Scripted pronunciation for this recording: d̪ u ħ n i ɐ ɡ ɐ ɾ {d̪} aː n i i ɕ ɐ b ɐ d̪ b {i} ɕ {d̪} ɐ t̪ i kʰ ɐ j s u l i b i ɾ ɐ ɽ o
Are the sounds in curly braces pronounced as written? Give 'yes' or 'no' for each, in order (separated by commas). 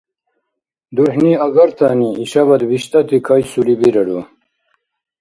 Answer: no, yes, no